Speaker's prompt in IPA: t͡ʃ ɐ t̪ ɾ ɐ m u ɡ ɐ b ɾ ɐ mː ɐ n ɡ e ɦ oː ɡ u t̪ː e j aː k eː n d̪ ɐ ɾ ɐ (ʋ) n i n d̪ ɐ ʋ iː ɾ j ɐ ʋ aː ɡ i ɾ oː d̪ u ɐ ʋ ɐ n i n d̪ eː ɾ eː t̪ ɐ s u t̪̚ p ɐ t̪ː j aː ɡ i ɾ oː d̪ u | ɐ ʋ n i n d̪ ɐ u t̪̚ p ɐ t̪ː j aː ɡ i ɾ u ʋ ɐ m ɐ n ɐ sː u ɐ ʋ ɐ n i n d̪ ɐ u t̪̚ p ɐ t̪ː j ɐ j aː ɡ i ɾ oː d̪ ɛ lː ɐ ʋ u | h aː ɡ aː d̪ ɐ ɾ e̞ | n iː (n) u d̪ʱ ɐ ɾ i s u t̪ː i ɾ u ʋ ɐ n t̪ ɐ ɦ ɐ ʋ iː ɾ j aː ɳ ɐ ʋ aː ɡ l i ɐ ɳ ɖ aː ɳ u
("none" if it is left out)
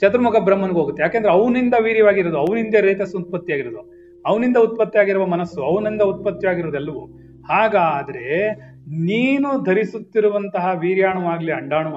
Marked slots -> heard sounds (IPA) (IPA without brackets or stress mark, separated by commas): ʋ, n